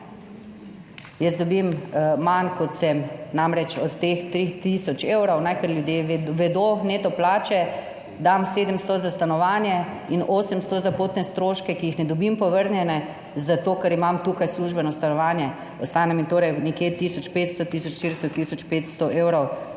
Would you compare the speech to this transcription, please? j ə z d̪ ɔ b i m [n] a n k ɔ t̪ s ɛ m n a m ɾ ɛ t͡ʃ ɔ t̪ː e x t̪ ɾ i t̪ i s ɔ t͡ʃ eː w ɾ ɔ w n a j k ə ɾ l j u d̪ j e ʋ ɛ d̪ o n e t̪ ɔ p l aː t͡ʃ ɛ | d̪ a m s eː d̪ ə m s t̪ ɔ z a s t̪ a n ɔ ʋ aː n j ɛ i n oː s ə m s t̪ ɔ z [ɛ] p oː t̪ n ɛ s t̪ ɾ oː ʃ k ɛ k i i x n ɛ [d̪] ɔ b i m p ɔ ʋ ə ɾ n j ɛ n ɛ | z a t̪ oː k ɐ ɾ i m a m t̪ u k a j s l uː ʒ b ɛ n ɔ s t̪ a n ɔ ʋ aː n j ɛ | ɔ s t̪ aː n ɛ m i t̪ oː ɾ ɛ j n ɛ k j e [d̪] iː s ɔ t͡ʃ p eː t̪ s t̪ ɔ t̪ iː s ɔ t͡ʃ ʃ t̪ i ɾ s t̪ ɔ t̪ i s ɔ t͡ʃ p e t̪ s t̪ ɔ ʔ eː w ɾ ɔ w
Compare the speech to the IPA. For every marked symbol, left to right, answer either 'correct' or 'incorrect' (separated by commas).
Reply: incorrect, incorrect, correct, incorrect